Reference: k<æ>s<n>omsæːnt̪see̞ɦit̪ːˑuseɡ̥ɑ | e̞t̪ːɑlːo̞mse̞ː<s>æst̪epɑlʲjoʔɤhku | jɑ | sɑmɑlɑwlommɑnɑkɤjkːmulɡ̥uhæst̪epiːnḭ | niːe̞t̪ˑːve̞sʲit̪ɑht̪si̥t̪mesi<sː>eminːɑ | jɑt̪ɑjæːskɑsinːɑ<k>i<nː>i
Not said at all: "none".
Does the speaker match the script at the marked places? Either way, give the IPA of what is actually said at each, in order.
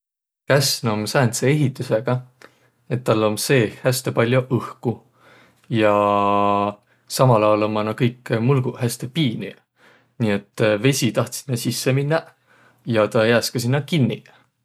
æ, n, h, sː, k, nː

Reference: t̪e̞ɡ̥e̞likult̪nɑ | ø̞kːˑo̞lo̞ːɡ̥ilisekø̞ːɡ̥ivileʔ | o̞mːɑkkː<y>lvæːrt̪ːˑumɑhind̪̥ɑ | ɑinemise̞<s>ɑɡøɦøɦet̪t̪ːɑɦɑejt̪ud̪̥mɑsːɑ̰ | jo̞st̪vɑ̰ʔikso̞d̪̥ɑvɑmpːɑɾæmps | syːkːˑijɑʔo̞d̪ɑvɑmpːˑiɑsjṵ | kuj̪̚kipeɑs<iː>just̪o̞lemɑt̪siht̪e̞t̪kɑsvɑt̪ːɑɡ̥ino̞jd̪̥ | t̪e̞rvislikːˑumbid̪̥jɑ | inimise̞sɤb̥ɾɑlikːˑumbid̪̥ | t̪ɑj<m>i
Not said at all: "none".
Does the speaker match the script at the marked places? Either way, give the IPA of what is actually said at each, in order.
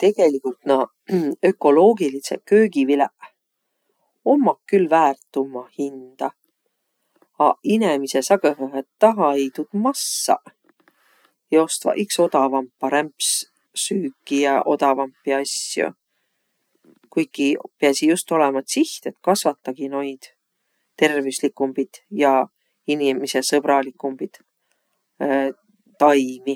y, s, i, m

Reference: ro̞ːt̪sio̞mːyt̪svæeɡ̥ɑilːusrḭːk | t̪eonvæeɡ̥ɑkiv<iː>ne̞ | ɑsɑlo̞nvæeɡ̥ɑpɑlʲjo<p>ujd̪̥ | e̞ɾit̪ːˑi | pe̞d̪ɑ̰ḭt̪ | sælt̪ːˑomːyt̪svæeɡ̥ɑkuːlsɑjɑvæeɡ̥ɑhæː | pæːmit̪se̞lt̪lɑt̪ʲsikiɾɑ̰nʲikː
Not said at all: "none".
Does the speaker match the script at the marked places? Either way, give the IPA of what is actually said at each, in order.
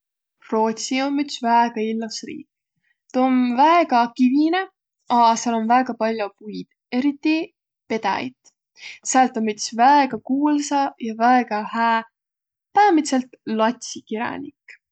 i, p

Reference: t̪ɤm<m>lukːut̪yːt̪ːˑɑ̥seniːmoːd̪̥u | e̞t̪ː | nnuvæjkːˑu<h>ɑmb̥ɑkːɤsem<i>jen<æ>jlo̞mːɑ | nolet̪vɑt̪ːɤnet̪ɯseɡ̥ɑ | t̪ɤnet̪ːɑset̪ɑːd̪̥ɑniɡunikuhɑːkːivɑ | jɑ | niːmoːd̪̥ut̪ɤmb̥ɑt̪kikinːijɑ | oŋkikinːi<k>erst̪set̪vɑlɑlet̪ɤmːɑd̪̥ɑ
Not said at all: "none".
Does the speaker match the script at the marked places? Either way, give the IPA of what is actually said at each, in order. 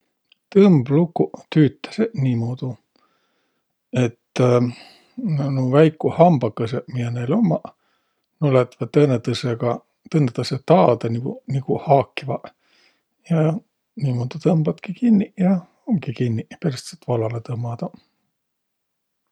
b, h, i, e, p

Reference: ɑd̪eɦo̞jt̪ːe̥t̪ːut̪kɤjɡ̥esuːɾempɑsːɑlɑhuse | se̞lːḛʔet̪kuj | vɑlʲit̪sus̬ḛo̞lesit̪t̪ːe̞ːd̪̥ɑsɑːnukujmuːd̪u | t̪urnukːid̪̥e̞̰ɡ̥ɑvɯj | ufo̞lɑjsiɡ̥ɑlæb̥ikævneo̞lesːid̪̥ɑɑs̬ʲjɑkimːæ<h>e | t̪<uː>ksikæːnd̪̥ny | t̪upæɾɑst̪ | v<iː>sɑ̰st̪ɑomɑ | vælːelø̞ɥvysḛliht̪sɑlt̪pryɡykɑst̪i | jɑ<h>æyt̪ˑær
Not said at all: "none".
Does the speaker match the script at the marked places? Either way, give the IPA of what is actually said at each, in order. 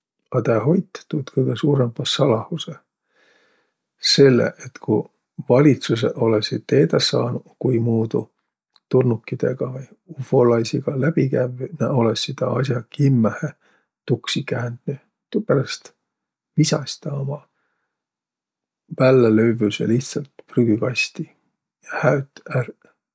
h, u, i, h

